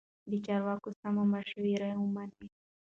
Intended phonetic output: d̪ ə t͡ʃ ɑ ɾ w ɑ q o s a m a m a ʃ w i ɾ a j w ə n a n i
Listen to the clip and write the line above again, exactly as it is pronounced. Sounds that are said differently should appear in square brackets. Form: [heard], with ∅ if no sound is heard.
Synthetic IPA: d̪ ə t͡ʃ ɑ ɾ w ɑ [k] o s a m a m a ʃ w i ɾ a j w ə [m] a n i